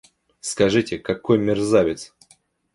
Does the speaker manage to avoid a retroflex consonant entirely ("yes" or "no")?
no